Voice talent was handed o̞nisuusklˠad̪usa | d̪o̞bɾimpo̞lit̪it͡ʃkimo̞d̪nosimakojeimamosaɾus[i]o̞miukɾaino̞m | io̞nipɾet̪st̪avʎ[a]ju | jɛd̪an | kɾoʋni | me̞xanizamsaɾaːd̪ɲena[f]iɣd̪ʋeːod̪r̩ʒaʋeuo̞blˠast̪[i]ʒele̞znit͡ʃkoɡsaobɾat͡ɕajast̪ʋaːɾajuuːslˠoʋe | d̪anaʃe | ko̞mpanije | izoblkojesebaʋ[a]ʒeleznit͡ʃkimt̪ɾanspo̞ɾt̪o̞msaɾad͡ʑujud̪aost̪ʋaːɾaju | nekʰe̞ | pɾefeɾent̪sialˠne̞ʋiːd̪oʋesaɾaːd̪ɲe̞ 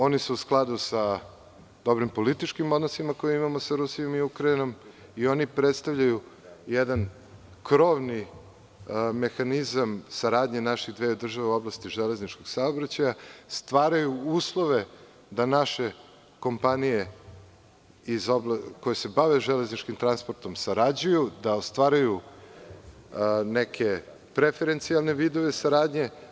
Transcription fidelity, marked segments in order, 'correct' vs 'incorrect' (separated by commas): correct, correct, incorrect, correct, incorrect